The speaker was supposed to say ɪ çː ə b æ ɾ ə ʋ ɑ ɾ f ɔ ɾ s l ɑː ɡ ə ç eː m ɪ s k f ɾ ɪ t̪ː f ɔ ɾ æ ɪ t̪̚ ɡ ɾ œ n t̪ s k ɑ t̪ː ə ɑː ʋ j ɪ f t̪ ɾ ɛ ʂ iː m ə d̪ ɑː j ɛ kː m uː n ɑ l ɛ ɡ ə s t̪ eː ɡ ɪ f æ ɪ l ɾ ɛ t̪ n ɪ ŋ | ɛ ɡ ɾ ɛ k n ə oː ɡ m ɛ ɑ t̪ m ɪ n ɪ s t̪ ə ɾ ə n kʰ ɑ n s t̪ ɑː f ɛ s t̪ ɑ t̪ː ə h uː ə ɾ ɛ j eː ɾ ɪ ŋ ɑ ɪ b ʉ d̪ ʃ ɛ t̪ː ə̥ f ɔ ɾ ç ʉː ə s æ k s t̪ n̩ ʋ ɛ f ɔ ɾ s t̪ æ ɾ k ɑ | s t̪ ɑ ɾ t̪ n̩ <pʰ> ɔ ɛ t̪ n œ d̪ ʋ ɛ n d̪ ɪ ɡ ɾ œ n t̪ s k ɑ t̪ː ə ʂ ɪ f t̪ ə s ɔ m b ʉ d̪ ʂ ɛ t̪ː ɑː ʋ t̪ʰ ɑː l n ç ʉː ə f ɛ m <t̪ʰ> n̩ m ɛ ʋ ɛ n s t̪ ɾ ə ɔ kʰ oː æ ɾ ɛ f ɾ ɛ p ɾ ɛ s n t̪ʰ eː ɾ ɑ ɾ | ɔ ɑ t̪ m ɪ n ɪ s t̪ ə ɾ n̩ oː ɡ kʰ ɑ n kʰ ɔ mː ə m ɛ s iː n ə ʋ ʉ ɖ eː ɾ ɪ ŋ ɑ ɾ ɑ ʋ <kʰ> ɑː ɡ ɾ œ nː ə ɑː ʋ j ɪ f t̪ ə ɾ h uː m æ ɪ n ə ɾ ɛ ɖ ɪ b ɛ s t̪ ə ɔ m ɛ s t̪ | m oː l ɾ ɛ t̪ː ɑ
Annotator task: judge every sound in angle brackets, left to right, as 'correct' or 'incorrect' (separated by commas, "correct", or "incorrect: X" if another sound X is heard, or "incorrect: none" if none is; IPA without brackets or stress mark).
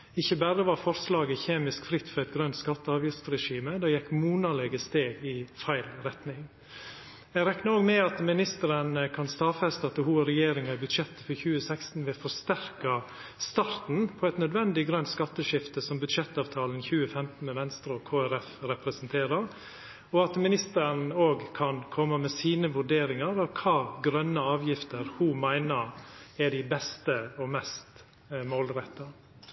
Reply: correct, incorrect: t̪, correct